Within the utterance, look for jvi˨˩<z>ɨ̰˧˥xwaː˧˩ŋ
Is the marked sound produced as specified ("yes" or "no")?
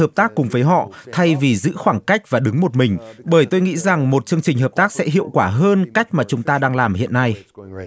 yes